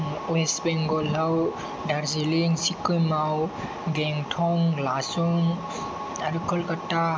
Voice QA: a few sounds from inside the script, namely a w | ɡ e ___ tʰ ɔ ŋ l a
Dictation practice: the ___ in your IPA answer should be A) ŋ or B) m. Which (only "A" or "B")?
A